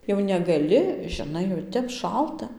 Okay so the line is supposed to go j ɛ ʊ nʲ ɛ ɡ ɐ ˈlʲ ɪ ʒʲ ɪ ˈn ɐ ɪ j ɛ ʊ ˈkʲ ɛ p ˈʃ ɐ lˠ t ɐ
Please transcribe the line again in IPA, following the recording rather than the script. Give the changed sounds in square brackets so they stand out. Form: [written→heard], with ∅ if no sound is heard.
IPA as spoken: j ɛ ʊ nʲ ɛ ɡ ɐ ˈlʲ ɪ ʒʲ ɪ ˈn ɐ ɪ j ɛ ʊ [ˈkʲ→ˈtʲ] ɛ p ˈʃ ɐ lˠ t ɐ